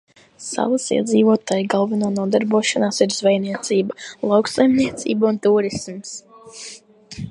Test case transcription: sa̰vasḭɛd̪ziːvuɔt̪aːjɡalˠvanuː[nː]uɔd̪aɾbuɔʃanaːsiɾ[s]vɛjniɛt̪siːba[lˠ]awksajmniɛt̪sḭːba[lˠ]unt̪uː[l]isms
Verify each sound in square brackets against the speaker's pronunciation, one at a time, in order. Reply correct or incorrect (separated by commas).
incorrect, incorrect, correct, incorrect, incorrect